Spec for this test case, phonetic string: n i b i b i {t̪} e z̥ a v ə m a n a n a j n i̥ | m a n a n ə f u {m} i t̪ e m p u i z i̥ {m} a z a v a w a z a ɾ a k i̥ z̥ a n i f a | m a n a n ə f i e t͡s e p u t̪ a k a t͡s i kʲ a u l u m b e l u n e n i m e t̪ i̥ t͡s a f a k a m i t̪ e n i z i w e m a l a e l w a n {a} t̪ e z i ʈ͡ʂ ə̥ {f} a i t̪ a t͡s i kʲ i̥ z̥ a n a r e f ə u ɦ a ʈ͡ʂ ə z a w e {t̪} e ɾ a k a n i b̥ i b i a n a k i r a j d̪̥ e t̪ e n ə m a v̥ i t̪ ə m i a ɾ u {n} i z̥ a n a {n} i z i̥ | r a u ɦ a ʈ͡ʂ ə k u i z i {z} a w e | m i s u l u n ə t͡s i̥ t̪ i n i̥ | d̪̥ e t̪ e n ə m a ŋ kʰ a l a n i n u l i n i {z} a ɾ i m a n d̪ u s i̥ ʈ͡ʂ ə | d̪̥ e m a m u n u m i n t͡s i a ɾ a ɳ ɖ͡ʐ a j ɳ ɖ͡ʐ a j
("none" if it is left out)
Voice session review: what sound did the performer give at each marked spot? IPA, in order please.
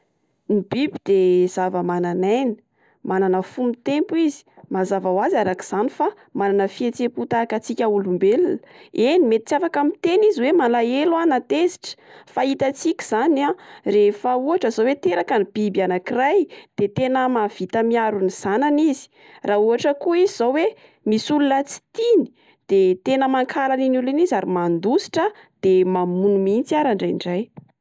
d̪, m, m, a, f, t̪, n, n, z, z

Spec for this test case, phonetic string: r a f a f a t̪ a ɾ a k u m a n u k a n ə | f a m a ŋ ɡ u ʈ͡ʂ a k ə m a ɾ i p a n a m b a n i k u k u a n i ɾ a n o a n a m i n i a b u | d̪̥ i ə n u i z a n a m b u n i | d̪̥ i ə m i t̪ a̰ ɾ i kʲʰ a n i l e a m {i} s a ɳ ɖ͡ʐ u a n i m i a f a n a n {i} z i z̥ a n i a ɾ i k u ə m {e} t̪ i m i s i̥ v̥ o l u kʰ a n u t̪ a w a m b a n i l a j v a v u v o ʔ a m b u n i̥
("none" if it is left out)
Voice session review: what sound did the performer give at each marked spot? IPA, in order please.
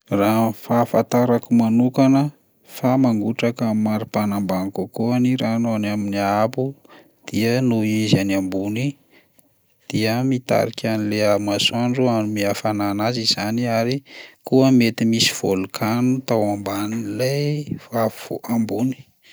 a, a, e

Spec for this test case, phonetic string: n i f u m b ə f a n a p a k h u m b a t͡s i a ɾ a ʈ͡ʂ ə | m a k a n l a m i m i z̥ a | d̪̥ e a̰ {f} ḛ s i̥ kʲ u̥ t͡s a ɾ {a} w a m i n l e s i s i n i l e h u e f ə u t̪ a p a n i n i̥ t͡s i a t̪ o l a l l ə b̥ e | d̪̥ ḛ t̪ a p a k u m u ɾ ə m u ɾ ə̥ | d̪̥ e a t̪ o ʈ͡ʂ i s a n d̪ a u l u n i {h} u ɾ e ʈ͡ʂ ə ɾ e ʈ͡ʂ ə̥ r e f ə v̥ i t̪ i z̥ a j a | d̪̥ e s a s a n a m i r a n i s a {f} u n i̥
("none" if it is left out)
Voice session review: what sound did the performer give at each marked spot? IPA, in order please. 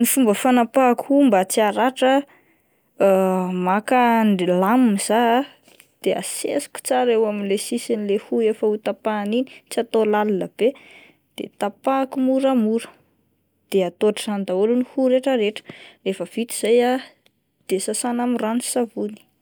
s, e, h, v

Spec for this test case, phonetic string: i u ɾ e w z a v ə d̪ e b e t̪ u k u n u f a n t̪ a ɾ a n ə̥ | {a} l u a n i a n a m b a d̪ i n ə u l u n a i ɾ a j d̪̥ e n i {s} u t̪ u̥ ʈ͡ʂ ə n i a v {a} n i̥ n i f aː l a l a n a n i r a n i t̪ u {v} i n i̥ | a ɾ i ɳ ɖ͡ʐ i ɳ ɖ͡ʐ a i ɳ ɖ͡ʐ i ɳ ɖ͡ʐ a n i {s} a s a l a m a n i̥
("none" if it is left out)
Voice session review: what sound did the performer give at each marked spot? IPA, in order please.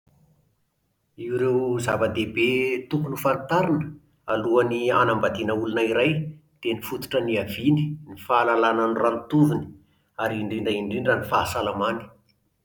a, f, i, v, f

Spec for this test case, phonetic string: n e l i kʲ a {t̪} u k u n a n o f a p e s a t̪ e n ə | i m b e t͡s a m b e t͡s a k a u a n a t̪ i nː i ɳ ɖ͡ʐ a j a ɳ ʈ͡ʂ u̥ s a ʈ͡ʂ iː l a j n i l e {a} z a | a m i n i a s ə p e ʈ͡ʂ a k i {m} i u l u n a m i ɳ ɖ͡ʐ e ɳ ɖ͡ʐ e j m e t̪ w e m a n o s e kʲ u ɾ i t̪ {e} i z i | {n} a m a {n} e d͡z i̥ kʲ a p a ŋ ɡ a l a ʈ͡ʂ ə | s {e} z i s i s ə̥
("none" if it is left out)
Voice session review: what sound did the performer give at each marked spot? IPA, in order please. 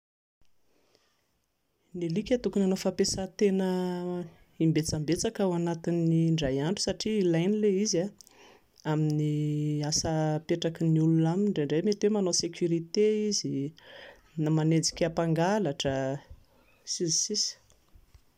t̪, i, n, e, n, n, i

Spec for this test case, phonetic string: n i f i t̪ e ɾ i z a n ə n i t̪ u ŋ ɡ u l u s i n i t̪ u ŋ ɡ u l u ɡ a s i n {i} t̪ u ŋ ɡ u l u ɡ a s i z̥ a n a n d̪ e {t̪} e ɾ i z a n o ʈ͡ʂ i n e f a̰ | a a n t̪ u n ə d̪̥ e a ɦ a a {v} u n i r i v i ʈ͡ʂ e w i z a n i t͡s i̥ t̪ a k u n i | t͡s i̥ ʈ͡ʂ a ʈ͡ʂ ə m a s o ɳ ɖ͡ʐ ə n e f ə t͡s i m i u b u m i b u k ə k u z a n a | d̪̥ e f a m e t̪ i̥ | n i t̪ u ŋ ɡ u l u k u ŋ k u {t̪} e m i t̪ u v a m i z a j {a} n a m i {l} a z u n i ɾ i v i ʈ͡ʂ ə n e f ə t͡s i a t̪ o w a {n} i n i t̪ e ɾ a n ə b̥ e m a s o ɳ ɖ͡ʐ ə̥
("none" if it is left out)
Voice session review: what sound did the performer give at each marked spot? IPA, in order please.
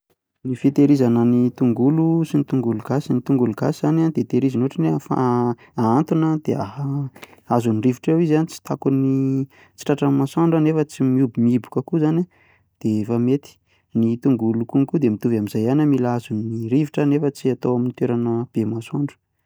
i, t̪, z, d̪, a, l, m

